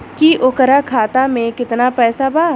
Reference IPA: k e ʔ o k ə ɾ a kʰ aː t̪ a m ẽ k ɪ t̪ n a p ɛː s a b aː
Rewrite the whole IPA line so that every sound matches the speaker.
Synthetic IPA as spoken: k i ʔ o k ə ɾ a kʰ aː t̪ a m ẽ k ɪ t̪ n a p ɛː s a b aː